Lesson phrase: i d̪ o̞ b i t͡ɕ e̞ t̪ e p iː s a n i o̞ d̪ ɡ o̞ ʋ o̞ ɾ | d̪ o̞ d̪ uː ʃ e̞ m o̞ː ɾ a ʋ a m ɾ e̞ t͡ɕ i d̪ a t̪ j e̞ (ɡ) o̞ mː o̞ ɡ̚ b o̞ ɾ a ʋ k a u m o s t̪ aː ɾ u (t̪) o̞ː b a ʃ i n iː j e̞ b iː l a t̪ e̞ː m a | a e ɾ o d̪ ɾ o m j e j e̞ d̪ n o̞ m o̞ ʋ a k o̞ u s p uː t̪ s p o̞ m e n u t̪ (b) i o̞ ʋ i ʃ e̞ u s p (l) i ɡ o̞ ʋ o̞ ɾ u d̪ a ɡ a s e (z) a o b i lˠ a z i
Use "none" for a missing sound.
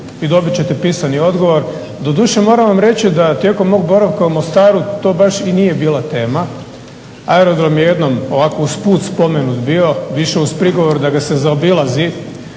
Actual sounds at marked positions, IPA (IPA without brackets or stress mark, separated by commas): k, t̪, b, ɾ, z